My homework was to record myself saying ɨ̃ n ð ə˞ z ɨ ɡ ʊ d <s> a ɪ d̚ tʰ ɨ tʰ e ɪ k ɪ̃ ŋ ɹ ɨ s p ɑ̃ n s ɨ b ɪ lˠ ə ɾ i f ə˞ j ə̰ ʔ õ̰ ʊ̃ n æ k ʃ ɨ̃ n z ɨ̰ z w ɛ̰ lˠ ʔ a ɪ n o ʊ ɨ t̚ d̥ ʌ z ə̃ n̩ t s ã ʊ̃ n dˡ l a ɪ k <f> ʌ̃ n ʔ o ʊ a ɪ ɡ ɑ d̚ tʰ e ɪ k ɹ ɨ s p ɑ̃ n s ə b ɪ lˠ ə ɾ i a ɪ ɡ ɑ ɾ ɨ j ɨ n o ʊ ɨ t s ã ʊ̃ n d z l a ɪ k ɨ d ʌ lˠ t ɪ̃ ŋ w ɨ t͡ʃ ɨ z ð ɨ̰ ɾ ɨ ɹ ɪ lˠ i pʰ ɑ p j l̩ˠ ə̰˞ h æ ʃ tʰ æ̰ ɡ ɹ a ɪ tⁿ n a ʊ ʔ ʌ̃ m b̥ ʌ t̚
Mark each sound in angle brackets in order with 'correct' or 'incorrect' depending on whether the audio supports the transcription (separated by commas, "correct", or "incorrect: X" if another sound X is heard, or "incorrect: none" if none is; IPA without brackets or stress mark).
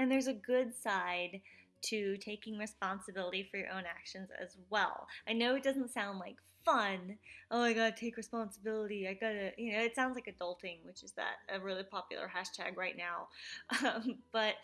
correct, correct